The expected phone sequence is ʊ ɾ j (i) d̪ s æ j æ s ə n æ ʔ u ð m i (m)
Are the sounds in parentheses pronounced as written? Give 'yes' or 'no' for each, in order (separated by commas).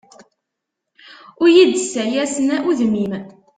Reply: yes, yes